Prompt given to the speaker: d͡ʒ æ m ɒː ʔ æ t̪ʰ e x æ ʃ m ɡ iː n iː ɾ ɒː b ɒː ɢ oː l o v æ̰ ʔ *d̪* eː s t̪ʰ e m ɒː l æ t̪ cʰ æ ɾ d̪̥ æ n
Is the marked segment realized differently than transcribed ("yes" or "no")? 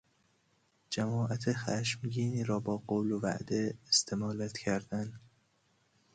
no